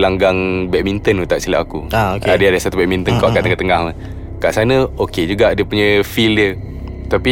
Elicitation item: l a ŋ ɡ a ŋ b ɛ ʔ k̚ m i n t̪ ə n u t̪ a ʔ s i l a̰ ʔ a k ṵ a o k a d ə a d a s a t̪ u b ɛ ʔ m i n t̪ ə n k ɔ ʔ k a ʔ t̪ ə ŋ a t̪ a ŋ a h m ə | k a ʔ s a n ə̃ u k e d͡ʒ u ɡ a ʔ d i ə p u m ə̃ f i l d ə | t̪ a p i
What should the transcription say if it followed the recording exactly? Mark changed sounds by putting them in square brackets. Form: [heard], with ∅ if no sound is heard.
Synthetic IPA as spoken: l a ŋ ɡ a ŋ b ɛ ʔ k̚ m i n t̪ ə n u t̪ a ʔ s i l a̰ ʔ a k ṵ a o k a d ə a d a s a t̪ u b ɛ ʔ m i n t̪ ə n k ɔ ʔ k a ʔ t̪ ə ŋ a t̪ [ə] ŋ a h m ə | k a ʔ s a n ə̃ [o] k e d͡ʒ u ɡ a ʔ d i ə p u [ɲ] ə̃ f i l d ə | t̪ a p i